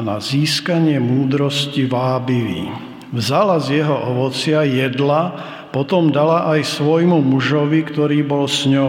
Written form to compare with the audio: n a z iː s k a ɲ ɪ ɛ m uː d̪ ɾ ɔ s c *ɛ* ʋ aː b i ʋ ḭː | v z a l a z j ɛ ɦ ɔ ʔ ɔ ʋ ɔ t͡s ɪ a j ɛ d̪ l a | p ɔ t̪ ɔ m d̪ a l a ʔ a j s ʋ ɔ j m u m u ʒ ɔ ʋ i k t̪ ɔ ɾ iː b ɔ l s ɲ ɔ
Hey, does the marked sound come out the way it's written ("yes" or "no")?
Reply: no